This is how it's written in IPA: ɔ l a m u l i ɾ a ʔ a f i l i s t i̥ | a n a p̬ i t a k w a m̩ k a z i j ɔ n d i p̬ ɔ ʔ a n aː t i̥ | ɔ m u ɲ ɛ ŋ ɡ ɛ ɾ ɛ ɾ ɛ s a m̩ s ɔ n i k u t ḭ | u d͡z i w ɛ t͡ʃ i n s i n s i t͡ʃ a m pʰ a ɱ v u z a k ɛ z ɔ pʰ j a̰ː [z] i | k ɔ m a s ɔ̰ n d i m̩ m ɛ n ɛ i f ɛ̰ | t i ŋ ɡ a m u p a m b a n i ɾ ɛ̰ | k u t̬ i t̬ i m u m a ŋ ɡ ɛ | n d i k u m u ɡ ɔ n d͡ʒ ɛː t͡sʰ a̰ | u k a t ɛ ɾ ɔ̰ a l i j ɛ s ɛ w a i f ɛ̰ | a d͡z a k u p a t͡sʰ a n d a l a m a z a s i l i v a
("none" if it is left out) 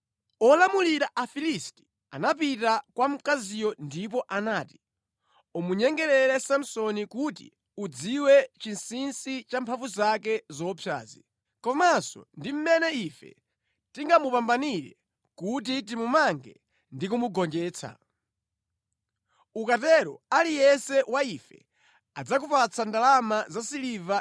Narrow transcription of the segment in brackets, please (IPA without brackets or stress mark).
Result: z